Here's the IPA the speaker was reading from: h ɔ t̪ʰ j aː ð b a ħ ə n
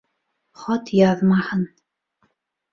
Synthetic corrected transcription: χ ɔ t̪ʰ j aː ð m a ħ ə n